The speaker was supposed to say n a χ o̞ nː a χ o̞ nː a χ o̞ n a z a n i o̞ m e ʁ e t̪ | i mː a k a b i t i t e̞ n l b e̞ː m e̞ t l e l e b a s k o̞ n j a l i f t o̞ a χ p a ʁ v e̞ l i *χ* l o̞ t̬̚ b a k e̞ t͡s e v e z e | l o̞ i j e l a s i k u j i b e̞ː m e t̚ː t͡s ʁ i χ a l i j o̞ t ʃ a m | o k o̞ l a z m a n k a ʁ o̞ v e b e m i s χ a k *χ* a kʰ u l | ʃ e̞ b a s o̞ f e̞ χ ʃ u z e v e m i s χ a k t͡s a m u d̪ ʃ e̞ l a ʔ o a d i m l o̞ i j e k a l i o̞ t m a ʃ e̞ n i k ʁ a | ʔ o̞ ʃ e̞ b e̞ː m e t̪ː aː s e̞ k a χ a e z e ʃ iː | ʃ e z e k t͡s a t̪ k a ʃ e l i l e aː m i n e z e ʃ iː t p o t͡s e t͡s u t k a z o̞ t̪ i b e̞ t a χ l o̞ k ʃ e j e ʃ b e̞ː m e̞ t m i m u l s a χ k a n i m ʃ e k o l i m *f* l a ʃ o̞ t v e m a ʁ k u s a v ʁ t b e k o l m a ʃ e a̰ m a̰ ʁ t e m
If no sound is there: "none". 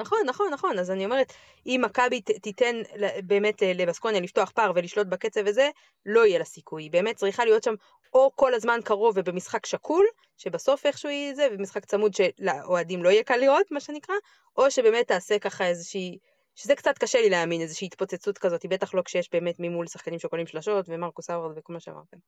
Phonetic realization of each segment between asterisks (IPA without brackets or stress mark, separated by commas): ʃ, ʃ, ʃ